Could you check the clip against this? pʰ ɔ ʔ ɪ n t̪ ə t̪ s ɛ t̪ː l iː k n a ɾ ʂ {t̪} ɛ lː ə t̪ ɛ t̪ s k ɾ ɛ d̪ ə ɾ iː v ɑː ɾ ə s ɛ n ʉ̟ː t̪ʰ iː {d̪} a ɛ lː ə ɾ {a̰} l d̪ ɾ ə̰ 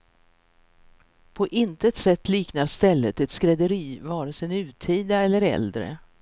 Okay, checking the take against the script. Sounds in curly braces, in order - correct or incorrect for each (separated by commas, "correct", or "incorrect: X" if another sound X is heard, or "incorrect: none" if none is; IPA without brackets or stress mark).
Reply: correct, correct, incorrect: ɛ̰